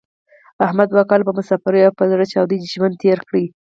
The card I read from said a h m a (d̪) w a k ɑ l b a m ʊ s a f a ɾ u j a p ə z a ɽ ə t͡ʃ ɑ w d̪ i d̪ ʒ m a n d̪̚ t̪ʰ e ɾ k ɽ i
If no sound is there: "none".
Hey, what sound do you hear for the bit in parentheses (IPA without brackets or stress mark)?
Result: d̪